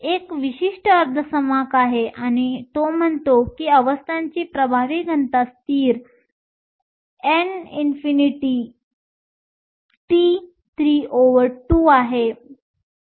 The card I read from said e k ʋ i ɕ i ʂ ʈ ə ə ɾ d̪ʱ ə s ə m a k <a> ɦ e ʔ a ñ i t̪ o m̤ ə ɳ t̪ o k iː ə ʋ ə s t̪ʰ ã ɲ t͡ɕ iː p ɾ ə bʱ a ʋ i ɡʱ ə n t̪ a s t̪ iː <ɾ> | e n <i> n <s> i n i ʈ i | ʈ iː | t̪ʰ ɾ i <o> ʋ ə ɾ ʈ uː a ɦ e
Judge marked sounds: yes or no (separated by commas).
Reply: yes, yes, yes, no, yes